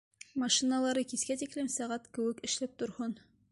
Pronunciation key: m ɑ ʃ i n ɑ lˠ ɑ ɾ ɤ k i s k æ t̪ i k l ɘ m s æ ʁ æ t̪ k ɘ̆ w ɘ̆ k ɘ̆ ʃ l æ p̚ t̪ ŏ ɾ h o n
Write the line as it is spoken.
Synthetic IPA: m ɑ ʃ i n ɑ lˠ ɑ ɾ ɤ k i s k æ t̪ i k l ɘ m s æ ʁ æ t̪ k ɘ̆ w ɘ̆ k ɘ̆ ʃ l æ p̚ t̪ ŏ ɾ h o n